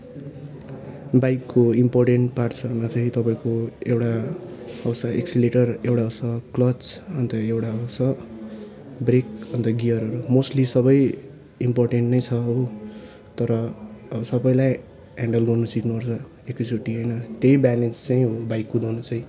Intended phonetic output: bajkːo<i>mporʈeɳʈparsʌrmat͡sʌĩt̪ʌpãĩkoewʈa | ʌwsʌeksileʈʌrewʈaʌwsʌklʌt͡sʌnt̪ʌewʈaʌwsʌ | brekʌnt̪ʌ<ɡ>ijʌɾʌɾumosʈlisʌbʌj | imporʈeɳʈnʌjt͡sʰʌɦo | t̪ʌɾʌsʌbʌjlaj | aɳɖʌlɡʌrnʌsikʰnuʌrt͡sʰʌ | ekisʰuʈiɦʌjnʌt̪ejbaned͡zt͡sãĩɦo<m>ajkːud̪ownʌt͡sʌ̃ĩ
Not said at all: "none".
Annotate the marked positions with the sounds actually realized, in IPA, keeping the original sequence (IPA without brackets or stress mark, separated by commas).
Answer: i, ɡ, b